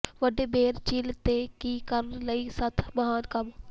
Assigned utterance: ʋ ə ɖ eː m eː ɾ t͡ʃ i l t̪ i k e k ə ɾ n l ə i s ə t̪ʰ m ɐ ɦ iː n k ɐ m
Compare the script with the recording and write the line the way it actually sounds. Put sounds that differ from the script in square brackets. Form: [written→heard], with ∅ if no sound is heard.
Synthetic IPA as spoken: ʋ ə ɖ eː [m→b] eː ɾ t͡ʃ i l t̪ [i→e] k [e→i] k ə ɾ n l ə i s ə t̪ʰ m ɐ ɦ [iː→aː] n k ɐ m